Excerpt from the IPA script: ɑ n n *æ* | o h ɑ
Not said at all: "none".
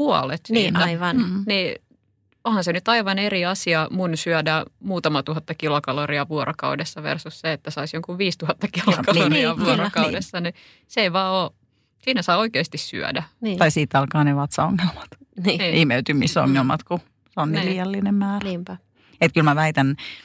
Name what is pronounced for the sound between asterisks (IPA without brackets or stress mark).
i